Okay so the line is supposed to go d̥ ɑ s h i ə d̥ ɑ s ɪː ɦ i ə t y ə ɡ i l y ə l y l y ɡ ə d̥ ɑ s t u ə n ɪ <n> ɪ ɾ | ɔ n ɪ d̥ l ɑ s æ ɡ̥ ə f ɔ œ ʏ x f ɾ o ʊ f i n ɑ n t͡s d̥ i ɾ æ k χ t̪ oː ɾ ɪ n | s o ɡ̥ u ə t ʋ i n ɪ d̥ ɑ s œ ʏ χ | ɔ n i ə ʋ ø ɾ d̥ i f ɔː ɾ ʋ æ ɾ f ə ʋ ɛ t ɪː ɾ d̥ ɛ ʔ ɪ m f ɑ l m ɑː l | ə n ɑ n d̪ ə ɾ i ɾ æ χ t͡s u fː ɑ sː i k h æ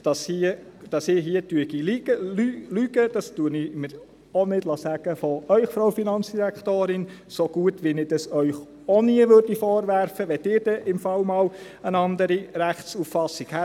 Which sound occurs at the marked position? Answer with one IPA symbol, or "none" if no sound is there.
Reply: m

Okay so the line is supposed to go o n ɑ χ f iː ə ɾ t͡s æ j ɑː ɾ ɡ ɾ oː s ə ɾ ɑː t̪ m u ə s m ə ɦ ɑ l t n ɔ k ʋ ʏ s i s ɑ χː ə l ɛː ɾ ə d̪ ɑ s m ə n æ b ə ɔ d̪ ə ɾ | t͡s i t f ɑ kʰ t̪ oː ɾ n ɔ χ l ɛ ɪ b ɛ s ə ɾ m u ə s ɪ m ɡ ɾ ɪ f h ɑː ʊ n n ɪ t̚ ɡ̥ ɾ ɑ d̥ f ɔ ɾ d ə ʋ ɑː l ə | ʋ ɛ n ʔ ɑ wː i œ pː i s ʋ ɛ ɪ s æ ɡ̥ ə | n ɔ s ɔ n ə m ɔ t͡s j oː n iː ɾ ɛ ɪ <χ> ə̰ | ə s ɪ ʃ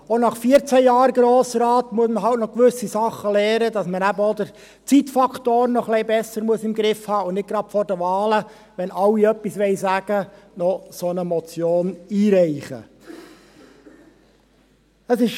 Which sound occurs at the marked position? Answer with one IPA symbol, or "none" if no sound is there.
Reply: χ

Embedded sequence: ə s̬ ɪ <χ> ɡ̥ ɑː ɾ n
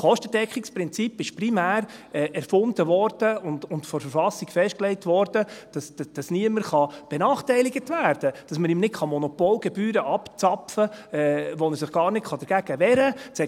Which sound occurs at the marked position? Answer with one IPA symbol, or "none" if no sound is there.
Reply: χ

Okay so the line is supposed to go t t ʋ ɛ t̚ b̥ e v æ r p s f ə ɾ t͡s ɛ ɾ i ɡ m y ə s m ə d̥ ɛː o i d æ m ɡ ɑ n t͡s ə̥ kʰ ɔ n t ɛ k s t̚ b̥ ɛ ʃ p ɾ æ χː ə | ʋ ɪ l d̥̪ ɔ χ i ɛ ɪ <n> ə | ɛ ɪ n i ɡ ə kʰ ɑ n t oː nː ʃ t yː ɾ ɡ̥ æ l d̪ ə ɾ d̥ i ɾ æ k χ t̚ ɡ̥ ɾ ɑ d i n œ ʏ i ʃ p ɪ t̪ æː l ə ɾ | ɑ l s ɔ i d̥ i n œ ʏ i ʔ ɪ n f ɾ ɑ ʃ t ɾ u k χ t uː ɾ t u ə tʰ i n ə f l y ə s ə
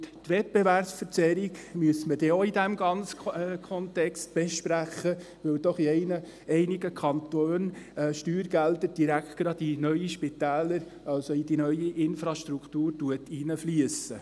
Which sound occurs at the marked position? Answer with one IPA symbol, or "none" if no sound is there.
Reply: n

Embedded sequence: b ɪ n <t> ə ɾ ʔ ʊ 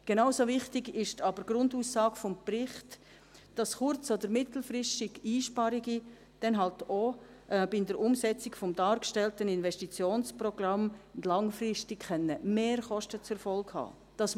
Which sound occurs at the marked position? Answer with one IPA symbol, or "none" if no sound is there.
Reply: d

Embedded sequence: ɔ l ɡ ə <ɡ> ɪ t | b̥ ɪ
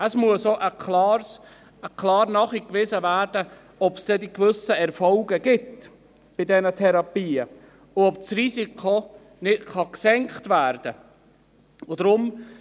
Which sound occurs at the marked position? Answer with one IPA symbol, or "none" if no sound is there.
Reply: ɡ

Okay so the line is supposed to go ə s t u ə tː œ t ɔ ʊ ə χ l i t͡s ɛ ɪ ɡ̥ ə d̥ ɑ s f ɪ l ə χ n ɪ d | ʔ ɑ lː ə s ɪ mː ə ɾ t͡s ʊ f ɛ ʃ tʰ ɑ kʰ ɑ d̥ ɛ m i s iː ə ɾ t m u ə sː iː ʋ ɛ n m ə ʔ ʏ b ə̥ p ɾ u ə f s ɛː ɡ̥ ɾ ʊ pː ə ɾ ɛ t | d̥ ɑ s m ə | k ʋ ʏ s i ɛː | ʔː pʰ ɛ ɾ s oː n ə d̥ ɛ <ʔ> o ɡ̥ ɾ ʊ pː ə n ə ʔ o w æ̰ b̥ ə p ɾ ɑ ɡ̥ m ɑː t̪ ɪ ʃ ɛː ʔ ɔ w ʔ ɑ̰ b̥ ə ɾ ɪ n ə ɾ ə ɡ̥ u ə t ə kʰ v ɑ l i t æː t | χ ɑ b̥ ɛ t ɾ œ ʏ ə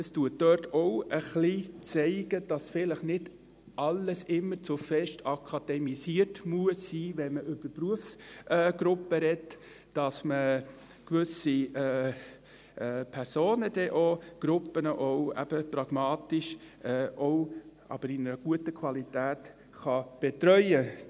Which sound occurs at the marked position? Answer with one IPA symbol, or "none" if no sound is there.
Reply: ʔ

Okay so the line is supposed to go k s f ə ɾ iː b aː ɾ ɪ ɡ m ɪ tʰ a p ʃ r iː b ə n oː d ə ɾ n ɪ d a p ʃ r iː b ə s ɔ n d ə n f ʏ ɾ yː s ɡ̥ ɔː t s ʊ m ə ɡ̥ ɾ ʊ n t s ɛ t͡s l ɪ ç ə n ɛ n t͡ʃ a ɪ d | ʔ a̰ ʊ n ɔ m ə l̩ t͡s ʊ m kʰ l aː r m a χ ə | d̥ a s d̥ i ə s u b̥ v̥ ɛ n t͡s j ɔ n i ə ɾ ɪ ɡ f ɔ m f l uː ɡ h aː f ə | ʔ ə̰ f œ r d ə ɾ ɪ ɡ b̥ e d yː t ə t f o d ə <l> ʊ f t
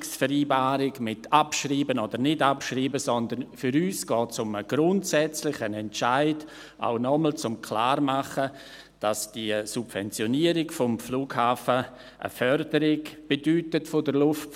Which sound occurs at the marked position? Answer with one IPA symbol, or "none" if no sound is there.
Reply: l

